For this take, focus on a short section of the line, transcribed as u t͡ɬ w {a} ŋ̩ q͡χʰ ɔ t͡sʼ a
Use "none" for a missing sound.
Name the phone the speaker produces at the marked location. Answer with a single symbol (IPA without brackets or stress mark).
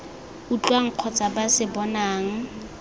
a